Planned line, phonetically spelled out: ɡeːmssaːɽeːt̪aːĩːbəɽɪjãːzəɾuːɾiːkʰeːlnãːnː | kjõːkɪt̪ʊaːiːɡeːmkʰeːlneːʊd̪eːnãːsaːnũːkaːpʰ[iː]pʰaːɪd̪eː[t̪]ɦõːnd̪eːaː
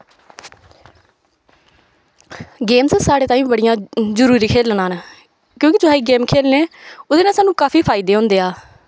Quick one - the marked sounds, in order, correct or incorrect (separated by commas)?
correct, incorrect